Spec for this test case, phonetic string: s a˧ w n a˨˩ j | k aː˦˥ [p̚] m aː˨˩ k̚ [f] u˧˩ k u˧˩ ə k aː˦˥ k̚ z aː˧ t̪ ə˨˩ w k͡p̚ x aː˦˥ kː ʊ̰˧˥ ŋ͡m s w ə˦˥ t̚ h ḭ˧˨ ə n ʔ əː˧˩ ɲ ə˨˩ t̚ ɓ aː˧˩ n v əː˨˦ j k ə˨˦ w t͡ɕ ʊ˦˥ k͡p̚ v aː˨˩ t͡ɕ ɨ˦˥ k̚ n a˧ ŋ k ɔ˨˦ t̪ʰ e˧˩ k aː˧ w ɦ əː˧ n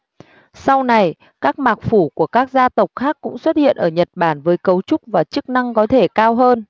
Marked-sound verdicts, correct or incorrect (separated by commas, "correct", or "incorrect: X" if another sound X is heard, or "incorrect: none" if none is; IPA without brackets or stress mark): incorrect: k̚, correct